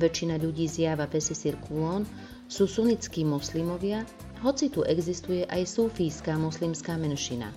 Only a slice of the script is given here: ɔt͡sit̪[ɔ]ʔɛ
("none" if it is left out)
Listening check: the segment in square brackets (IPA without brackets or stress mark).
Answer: u